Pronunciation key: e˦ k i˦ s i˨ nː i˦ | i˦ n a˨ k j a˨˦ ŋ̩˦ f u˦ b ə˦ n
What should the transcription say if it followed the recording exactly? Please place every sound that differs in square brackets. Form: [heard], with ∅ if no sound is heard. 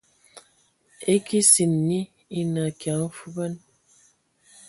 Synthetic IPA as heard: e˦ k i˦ s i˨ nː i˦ | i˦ n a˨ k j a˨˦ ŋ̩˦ f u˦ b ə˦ n

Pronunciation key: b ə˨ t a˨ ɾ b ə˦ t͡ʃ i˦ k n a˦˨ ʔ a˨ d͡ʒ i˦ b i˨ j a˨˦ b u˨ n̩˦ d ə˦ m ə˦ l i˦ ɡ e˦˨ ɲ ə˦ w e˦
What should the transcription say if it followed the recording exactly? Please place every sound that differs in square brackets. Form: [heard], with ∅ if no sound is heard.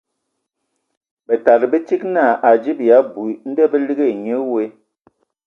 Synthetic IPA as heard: b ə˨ t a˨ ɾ b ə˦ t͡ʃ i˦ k n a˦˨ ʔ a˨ d͡ʒ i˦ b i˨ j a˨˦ b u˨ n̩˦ d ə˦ [b] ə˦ l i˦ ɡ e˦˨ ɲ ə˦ w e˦

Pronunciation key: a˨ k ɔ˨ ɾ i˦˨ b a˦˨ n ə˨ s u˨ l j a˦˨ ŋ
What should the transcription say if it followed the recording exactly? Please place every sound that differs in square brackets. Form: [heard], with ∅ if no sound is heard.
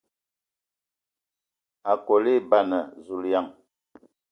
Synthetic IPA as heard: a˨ k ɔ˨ [l] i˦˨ b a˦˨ n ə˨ [z] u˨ l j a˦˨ ŋ

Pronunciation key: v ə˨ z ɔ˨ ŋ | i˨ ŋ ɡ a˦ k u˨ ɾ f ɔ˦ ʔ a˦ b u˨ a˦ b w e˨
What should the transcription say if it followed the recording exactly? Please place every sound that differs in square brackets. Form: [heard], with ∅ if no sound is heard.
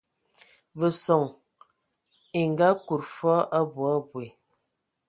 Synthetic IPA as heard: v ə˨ [s] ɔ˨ ŋ | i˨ ŋ ɡ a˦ k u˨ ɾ f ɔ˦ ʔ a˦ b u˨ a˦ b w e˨

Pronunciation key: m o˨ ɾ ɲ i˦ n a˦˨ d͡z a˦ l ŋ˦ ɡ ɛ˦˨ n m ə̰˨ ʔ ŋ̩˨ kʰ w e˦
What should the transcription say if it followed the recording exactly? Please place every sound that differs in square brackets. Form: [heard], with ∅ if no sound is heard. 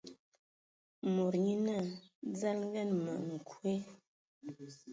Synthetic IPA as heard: m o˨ ɾ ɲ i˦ n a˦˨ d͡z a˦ l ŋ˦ ɡ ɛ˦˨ n m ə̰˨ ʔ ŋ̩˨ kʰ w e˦

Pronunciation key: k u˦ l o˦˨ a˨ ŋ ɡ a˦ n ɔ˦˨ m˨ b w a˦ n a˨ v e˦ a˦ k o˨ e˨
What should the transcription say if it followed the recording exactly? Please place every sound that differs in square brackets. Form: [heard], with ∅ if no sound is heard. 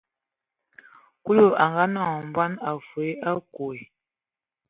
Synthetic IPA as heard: k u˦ l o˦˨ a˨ ŋ ɡ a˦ n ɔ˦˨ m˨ b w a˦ n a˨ [f] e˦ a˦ k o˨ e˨

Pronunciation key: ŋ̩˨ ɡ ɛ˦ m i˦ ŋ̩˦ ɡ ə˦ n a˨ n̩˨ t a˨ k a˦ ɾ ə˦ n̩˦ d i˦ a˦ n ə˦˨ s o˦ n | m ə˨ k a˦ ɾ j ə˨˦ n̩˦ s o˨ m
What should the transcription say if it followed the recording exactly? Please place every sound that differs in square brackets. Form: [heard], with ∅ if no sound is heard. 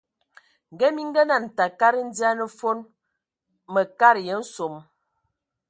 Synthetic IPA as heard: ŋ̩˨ ɡ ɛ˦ m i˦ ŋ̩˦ ɡ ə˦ n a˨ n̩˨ t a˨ k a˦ ɾ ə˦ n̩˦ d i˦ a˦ n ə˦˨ [f] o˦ n | m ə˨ k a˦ ɾ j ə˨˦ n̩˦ s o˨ m

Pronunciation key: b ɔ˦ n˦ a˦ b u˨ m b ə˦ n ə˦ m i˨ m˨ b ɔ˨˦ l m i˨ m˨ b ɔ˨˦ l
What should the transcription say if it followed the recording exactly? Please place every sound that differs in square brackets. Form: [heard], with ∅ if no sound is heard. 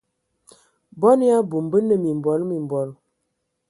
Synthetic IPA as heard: b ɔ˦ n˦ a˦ b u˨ m b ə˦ n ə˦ m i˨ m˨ b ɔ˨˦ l m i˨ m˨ b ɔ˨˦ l

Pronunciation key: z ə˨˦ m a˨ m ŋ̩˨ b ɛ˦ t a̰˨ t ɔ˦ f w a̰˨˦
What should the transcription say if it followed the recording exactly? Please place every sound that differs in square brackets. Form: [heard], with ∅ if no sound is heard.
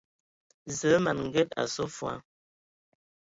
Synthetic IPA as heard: z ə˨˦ m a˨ [n] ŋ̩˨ [ɡ] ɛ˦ t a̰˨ [s] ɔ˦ f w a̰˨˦

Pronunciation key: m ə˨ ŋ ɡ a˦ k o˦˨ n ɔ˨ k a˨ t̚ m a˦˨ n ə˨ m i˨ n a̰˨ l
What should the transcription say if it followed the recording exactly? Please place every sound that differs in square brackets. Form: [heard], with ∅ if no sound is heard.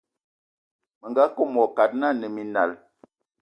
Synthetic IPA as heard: m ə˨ ŋ ɡ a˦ k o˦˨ [m] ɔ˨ k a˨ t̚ [n] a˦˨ n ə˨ m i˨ n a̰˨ l

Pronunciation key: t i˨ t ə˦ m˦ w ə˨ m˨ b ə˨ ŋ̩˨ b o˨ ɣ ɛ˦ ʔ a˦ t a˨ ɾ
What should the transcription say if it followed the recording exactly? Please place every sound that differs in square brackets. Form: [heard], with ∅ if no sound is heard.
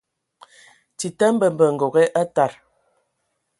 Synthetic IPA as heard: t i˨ t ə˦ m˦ [b] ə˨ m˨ b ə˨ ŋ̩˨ [ɡ] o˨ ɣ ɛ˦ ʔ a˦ t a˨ ɾ

